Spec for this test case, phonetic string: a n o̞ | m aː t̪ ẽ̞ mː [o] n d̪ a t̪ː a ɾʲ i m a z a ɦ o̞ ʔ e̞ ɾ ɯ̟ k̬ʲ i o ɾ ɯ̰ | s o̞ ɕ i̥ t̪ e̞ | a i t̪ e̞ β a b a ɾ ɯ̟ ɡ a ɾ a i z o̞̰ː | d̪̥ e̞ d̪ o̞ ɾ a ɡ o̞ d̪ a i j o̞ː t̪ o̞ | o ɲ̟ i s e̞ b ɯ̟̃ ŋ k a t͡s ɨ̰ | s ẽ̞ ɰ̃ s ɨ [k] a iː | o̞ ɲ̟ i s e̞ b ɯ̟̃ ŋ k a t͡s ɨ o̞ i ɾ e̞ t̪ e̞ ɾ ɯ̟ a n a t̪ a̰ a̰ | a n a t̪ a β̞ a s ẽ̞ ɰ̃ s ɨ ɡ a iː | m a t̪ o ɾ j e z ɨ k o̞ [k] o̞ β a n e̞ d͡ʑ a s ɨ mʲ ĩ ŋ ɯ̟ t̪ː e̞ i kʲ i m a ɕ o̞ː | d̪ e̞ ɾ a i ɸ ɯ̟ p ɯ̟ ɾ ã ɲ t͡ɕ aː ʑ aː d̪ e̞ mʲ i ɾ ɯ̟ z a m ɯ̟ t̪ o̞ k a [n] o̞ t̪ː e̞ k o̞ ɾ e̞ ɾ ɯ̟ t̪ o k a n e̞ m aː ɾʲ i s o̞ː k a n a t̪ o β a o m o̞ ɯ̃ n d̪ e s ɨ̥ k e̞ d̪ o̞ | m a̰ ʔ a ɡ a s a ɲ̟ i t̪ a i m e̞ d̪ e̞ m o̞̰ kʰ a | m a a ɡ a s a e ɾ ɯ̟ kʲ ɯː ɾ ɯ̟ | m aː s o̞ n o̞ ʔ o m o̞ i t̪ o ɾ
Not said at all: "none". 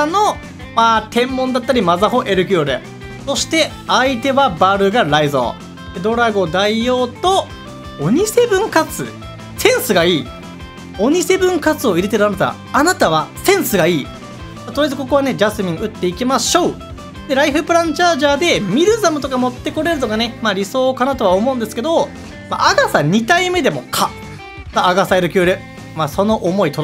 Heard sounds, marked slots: õ, ɡ, k, m

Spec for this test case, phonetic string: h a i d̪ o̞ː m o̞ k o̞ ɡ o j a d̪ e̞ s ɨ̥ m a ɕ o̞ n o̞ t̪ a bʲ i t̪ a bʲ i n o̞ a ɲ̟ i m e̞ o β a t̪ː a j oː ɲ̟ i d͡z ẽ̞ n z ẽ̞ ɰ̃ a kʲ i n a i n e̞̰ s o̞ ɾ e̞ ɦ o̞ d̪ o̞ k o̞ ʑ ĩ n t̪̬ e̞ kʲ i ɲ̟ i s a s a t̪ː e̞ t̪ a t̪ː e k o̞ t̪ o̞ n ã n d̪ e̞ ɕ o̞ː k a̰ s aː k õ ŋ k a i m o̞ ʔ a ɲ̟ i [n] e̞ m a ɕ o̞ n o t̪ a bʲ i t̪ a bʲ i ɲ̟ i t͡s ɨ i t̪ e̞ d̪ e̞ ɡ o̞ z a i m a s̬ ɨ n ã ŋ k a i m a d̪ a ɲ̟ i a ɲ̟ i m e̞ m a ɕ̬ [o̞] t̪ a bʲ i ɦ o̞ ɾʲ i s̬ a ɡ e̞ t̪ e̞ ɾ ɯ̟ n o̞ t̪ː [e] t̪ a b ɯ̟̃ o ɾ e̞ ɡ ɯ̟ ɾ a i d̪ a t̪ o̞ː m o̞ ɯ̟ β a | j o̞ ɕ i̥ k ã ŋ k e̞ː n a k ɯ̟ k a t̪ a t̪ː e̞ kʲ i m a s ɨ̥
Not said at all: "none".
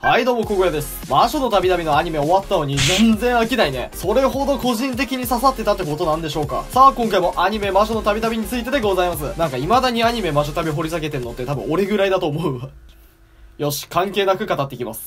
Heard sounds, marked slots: m, o̞, e

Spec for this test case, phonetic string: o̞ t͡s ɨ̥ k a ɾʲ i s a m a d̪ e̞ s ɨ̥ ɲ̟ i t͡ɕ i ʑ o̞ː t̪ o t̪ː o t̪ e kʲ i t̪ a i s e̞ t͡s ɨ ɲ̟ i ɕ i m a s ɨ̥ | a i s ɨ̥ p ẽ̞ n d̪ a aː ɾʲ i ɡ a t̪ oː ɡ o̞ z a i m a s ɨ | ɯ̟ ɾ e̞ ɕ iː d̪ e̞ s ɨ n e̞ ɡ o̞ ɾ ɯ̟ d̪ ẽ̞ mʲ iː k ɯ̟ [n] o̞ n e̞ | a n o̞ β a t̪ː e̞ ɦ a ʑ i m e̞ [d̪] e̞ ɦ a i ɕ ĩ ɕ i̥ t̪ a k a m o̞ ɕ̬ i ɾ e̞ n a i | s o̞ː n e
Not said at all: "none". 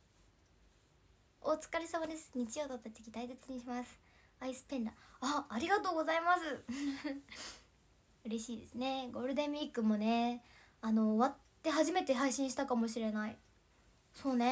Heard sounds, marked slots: m, t̪

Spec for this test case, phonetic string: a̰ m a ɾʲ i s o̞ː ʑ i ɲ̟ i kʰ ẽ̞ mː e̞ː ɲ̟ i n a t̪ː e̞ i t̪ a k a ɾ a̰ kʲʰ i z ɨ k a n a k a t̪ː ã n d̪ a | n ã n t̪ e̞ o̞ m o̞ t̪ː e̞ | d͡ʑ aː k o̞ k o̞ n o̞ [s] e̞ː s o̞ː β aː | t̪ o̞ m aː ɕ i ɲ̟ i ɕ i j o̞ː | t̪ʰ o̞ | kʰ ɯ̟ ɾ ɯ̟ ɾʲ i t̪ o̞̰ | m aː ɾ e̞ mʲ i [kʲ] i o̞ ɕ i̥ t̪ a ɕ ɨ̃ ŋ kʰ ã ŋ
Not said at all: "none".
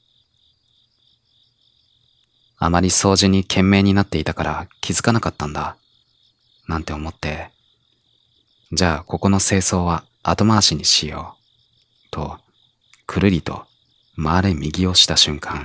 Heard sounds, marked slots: s, ɡʲ

